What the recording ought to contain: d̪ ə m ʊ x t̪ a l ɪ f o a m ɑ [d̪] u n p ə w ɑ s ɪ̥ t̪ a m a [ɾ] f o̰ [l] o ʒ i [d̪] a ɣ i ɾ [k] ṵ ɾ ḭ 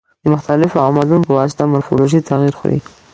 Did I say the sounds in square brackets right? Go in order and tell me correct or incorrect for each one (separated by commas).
correct, correct, correct, incorrect, incorrect